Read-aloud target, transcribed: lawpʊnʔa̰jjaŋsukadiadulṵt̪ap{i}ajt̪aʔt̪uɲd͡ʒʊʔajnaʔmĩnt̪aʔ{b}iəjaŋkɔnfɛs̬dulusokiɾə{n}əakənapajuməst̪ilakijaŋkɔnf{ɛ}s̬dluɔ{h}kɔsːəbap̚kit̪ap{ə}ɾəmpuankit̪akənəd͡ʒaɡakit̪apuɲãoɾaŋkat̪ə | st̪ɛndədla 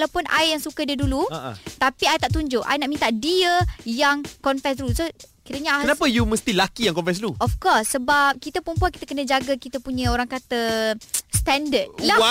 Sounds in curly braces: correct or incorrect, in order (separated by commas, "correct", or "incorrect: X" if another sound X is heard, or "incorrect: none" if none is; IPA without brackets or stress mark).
correct, incorrect: d, incorrect: ɲ, correct, incorrect: f, correct